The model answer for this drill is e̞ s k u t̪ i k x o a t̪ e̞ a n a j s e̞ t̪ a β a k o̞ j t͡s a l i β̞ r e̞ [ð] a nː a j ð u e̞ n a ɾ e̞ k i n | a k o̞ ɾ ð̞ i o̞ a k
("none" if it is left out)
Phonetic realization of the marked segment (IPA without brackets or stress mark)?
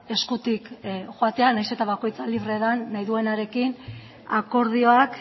ð